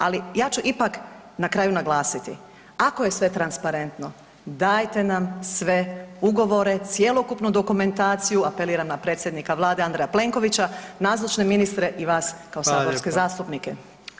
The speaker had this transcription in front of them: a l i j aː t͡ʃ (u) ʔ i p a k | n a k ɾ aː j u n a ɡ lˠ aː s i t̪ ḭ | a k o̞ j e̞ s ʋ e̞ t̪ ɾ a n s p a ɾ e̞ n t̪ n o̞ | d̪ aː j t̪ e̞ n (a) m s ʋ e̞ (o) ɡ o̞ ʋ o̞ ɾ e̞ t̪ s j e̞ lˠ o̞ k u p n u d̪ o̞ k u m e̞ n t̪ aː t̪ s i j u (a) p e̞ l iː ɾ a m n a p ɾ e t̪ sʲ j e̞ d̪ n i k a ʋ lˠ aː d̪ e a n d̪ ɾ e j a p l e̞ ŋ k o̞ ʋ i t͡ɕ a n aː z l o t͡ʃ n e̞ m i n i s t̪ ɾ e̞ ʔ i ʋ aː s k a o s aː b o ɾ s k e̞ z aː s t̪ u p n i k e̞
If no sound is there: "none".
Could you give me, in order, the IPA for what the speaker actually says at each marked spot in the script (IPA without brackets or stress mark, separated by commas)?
u, a, u, a